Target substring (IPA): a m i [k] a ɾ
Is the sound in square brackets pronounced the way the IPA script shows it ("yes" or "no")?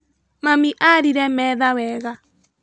no